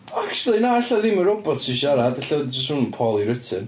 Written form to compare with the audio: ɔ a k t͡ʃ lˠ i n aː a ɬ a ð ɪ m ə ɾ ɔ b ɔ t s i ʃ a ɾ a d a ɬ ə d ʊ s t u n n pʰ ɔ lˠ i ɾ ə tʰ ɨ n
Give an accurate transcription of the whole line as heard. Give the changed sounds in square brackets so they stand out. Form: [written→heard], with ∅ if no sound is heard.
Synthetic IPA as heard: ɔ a k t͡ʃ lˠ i n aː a ɬ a ð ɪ m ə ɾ ɔ b ɔ t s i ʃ a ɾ a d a ɬ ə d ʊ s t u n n pʰ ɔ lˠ i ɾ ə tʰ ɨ n

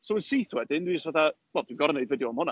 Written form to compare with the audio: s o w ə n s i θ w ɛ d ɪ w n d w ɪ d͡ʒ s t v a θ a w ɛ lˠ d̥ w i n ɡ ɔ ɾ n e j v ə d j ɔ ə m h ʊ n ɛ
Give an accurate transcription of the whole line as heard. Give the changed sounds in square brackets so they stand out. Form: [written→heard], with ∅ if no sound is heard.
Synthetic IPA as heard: s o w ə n s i θ w ɛ d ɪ [w→∅] n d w [ɪ→i] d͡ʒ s t v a θ a w ɛ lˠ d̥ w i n ɡ ɔ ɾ n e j v ə d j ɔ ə m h ʊ n [ɛ→a]

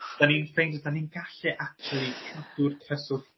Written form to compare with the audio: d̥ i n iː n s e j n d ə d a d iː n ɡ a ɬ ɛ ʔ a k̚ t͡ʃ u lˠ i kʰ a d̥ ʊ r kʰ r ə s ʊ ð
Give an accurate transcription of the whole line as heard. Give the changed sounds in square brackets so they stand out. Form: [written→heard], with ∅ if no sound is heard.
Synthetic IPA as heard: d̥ [i→a] n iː n [s→f] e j n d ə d a [d→n] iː n ɡ a ɬ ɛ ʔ a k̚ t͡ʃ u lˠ i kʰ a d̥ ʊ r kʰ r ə s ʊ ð

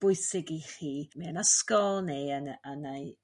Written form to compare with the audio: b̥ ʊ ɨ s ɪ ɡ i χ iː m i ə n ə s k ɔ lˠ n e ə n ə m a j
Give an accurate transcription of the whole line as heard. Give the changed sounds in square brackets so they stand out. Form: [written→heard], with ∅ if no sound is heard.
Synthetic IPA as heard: b̥ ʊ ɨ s ɪ ɡ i χ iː m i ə n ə s k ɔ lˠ n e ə n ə [m→n] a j

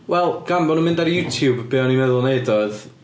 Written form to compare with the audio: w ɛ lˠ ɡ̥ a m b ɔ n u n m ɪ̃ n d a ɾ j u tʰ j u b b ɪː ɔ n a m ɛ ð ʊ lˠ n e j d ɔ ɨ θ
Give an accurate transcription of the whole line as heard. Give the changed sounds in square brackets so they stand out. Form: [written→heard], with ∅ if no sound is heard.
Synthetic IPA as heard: w ɛ lˠ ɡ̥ a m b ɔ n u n m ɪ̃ n d a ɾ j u tʰ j u b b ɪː ɔ n [a→i] m ɛ ð ʊ lˠ n e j d ɔ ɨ [θ→ð]

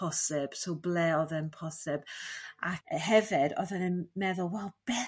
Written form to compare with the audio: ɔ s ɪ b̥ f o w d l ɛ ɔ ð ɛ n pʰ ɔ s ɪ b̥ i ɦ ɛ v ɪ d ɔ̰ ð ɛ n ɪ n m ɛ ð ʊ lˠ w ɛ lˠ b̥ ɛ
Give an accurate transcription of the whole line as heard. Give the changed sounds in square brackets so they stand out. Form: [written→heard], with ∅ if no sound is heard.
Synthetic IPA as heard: ɔ s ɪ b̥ [f→s] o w [d→b] l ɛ ɔ ð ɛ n pʰ ɔ s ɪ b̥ [i→a] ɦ ɛ v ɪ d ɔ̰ ð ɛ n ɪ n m ɛ ð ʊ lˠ w ɛ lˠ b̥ ɛ

